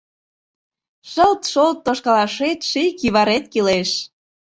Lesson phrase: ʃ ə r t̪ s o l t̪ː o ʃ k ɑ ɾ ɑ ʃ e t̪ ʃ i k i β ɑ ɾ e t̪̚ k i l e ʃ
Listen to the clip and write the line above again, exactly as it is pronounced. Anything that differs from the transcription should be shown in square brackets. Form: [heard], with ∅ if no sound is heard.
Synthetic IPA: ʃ ə [l] t̪ [ʃ] o l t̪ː o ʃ k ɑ [l] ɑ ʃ e t̪ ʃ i k i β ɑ ɾ e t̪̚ k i l e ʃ